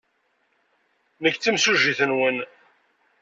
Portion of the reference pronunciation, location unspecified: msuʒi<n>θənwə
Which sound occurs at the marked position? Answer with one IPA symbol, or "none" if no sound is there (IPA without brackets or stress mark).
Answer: none